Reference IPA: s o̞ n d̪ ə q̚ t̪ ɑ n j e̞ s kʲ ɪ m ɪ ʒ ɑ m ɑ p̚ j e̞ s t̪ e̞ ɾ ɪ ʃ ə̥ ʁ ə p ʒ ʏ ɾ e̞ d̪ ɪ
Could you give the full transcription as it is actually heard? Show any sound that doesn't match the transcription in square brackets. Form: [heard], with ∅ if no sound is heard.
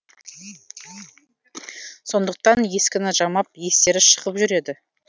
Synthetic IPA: s o̞ n d̪ ə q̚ t̪ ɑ n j e̞ s kʲ ɪ [n] ɪ ʒ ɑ m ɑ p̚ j e̞ s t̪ e̞ ɾ ɪ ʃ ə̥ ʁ ə p ʒ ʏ ɾ e̞ d̪ ɪ